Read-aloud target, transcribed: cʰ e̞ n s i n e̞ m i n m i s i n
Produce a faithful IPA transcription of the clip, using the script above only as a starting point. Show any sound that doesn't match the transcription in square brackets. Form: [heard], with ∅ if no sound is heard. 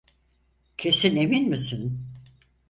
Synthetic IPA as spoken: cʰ e̞ [∅] s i n e̞ m i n m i s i n